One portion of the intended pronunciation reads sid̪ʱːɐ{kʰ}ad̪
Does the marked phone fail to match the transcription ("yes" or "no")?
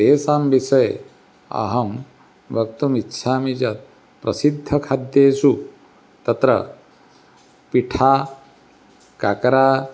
no